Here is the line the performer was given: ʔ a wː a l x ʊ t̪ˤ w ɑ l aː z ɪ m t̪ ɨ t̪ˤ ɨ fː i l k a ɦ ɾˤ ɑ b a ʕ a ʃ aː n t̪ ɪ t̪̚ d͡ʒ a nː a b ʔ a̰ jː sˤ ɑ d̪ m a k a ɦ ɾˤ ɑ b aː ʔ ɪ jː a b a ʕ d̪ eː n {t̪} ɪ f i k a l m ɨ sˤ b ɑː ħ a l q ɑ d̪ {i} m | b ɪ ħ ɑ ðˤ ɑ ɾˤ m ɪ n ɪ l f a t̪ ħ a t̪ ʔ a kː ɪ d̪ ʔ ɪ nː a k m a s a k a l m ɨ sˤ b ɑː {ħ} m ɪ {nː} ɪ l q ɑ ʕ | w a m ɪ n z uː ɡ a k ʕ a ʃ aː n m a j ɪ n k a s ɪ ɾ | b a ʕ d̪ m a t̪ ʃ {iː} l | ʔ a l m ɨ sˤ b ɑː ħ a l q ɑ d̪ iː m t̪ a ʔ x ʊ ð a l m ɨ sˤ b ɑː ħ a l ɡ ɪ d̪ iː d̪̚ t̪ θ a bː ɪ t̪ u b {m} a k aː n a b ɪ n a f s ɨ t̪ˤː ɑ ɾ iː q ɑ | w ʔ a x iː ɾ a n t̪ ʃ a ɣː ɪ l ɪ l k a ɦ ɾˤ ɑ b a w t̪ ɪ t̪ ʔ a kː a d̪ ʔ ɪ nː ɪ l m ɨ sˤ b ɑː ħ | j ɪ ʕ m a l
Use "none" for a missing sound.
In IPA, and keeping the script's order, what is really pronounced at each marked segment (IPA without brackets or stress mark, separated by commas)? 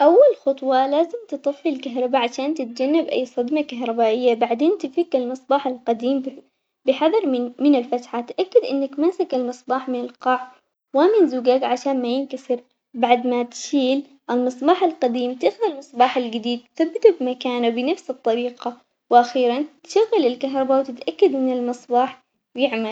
t̪, iː, ħ, n, iː, m